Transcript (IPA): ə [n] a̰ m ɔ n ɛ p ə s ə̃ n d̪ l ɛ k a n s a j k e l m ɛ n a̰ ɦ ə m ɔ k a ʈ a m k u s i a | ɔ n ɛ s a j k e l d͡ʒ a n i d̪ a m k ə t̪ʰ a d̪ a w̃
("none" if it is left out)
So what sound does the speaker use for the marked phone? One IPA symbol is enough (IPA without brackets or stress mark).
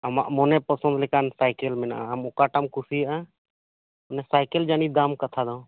m